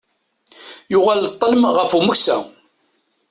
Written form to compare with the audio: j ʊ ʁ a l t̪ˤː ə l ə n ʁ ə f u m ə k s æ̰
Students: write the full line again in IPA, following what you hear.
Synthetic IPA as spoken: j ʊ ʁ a l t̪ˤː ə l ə m ʁ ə f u m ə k s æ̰

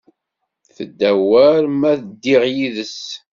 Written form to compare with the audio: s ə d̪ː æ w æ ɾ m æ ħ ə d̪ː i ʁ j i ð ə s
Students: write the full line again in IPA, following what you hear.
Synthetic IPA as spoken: θ ə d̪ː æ w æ ɾ m æ θ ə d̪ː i ʁ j i ð ə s

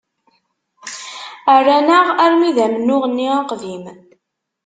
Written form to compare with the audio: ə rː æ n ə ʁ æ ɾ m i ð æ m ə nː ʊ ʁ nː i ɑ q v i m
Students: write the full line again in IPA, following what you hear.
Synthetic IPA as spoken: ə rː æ n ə ʁ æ ɾ m i ð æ m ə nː ʊ ʁ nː i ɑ q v i m

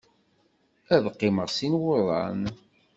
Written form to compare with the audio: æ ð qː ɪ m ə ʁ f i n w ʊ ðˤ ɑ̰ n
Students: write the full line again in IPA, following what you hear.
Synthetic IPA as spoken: æ ð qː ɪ m ə ʁ s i n w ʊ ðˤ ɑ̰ n

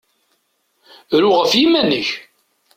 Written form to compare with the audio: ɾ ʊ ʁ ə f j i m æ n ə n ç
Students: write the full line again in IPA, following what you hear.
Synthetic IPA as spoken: ɾ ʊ ʁ ə f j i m æ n ə ç

